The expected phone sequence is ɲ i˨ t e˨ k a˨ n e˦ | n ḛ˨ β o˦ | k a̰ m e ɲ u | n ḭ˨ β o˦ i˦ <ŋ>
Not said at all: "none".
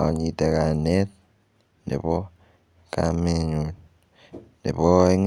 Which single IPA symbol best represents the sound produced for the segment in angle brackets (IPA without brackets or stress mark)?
ŋ